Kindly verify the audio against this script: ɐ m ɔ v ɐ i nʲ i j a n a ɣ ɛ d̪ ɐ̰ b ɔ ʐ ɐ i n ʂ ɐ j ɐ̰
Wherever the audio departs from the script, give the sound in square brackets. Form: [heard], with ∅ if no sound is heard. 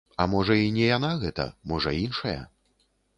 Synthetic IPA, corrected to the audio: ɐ m ɔ [ʐ] ɐ i nʲ [ɛ] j a n a ɣ ɛ [t̪] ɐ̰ [m] ɔ ʐ ɐ i n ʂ ɐ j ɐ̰